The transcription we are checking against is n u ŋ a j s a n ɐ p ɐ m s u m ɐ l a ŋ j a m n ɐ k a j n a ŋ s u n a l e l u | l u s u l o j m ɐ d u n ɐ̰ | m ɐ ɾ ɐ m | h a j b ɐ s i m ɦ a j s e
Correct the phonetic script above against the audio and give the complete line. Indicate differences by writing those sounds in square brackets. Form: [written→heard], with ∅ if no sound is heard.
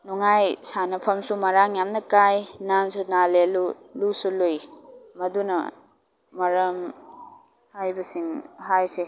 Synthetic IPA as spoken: n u ŋ a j s a n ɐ [p→pʰ] ɐ m s u m ɐ [l→ɾ] a ŋ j a m n ɐ k a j n a [ŋ→n] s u n a l e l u | l u s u l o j m ɐ d u n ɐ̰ | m ɐ ɾ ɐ m | h a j b ɐ s i [m→ŋ] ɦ a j s e